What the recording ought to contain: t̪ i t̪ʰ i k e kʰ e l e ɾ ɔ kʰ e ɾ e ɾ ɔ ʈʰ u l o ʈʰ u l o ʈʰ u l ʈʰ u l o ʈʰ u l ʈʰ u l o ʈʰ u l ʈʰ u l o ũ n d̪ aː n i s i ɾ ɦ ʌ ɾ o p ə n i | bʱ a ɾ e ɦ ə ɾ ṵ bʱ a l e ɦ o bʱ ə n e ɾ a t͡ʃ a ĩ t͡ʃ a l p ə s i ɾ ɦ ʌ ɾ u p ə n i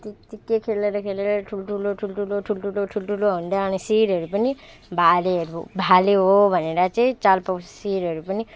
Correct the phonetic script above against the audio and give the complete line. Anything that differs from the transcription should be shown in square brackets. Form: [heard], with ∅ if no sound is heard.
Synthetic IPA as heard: t̪ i [t̪] i k e kʰ e l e ɾ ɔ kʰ e [l] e ɾ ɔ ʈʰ u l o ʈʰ u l o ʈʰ u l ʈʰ u l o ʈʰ u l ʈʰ u l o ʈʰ u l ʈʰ u l o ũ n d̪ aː n i s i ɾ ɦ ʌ ɾ [u] p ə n i | bʱ a [l] e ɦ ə ɾ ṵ bʱ a l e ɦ o bʱ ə n e ɾ a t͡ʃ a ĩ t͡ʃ a l p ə s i ɾ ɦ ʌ ɾ u p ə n i